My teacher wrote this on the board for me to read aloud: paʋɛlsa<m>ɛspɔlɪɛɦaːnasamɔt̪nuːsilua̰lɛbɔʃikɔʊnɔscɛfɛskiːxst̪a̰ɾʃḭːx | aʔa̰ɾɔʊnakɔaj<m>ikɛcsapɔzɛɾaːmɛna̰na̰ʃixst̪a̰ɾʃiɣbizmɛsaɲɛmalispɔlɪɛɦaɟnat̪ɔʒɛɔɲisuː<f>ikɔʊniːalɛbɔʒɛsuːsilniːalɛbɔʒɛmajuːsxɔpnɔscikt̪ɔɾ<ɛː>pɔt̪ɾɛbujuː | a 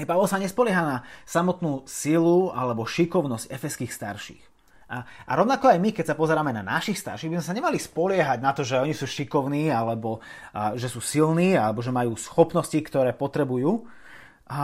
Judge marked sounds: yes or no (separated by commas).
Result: no, yes, no, yes